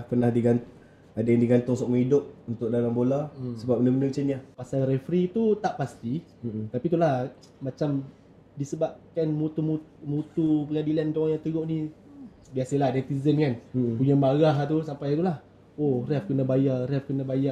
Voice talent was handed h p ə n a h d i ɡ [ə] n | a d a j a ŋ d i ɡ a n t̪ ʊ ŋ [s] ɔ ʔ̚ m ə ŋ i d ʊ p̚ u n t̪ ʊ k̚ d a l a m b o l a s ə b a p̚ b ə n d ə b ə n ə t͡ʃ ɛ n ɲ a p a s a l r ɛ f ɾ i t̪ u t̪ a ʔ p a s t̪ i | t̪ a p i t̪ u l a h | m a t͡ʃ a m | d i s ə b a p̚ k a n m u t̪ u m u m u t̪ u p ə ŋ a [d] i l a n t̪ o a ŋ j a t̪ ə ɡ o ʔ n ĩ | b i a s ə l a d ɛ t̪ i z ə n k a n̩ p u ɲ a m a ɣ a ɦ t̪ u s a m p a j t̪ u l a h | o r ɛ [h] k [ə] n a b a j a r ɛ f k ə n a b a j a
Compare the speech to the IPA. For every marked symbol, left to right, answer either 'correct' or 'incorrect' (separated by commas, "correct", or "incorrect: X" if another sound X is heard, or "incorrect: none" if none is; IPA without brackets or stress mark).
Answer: incorrect: a, correct, correct, incorrect: f, correct